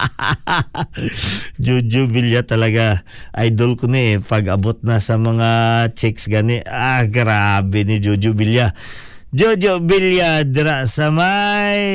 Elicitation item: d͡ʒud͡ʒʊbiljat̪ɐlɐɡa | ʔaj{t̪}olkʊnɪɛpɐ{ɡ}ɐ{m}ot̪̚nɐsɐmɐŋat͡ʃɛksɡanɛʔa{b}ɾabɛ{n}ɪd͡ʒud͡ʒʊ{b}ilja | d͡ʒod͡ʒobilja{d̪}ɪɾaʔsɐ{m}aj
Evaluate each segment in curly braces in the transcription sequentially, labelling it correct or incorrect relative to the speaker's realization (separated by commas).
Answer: incorrect, correct, incorrect, incorrect, correct, correct, correct, correct